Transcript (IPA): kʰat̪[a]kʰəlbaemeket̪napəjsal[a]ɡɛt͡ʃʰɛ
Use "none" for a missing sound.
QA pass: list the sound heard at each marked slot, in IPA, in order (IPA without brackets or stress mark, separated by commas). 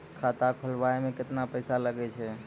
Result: a, ə